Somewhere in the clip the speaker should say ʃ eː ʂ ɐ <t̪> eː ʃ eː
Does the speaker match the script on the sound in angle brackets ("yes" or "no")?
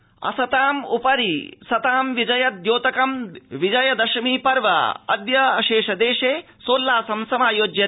no